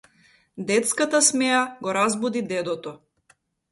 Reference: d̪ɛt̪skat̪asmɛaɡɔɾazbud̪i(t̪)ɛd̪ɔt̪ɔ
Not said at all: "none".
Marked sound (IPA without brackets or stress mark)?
d̪